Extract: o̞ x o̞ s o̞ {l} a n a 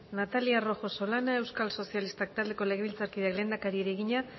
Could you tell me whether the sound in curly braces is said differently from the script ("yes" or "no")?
no